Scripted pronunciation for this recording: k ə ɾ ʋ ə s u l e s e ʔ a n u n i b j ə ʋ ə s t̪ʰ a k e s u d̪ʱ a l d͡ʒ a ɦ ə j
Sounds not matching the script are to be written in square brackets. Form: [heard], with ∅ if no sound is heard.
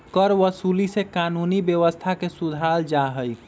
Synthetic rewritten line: k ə ɾ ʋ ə s u l [i] s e [k] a n u n i b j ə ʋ ə s t̪ʰ a k e s u d̪ʱ a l d͡ʒ a ɦ ə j